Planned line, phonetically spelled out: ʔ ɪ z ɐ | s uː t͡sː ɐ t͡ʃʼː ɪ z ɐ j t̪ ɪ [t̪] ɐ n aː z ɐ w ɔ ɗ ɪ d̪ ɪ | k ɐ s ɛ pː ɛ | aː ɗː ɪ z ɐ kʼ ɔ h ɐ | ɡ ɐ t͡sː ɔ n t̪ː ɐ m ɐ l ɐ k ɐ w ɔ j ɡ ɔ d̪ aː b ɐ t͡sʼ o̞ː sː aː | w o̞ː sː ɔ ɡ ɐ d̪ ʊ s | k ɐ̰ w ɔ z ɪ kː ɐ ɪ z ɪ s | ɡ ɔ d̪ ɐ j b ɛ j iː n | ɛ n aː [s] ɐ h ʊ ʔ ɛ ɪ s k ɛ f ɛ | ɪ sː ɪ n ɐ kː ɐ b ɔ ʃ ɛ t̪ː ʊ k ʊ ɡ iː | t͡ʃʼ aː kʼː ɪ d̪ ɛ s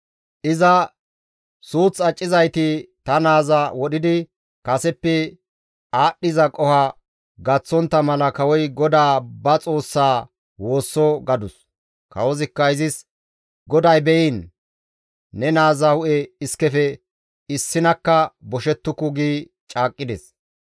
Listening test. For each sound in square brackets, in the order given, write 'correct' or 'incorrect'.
correct, incorrect

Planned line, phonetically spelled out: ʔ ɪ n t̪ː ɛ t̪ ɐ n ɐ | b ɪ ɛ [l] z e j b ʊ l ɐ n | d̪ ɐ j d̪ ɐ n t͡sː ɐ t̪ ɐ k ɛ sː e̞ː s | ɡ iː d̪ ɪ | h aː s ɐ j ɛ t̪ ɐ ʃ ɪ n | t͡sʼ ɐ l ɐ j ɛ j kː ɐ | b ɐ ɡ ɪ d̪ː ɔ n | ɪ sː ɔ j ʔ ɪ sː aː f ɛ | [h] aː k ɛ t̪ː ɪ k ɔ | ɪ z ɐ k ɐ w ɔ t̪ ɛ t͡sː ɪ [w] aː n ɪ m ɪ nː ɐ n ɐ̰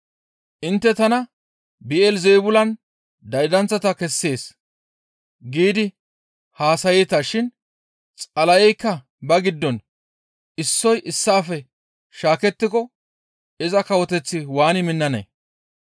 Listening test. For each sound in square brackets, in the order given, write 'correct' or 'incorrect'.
correct, incorrect, correct

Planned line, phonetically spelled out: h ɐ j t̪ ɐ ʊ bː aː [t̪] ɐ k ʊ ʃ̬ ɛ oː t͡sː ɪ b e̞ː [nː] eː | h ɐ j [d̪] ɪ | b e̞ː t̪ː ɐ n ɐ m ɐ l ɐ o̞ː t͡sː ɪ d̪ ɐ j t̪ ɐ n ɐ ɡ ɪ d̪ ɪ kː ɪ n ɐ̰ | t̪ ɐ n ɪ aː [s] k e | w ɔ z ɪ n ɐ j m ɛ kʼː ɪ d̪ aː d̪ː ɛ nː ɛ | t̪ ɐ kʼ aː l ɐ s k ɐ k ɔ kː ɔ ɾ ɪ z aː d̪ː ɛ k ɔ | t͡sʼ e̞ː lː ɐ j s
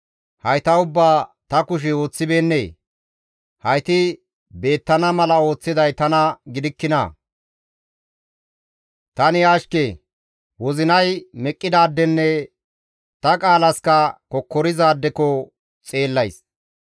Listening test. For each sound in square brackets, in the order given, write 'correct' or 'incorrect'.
correct, correct, incorrect, incorrect

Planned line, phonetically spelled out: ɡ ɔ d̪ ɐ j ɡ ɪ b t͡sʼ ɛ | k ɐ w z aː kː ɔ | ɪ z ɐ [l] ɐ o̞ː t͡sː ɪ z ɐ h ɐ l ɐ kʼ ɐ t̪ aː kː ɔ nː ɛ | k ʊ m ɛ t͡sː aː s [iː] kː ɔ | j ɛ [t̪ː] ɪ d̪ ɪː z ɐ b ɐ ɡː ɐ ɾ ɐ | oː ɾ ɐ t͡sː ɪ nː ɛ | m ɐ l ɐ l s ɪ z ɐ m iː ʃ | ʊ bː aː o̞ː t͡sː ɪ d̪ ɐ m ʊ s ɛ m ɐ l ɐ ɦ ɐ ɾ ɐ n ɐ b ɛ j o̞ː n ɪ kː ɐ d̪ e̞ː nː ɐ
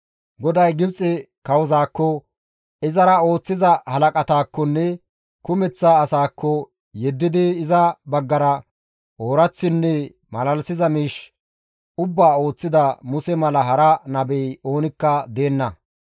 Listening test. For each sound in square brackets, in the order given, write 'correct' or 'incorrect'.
incorrect, incorrect, incorrect

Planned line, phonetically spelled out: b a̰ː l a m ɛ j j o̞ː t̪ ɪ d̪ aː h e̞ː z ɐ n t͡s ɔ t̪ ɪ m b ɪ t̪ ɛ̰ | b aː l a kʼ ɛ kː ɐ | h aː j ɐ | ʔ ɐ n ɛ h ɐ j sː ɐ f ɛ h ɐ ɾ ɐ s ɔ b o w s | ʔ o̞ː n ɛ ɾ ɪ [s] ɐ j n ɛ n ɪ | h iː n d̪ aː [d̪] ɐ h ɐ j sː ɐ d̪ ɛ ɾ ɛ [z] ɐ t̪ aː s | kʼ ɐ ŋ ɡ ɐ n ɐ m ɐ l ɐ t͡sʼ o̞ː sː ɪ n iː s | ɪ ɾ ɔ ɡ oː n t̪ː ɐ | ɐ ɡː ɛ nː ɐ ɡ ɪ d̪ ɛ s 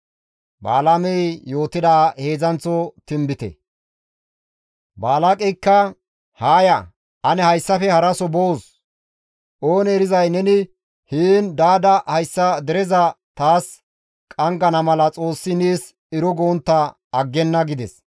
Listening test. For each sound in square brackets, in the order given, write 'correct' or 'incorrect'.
incorrect, correct, correct

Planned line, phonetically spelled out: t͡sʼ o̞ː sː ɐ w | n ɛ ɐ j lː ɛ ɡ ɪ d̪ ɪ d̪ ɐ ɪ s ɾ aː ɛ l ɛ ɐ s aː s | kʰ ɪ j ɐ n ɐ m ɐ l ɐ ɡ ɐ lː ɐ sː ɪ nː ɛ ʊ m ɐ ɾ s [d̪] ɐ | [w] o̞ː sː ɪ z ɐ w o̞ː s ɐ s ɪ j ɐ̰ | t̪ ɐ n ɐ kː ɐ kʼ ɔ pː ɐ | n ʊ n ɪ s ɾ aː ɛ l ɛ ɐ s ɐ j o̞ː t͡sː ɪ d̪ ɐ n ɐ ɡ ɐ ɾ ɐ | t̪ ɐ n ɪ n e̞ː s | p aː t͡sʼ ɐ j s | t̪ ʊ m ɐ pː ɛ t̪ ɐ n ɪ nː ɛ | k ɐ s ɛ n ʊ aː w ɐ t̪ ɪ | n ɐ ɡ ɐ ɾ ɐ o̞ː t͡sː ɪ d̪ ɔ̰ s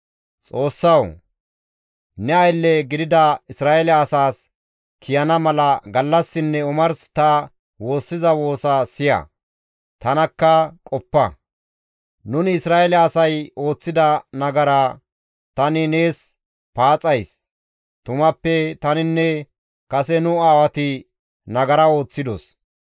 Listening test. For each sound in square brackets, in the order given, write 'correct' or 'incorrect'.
incorrect, correct

